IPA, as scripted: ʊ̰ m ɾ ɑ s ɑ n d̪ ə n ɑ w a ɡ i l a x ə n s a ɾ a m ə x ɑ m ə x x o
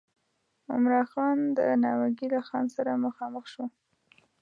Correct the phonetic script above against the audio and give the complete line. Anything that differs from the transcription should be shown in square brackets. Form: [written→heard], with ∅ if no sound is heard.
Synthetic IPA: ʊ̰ m ɾ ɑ [s→x] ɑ n d̪ ə n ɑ w a ɡ i l a x [ə→ɑ] n s a ɾ a m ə x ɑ m ə x [x→ʃ] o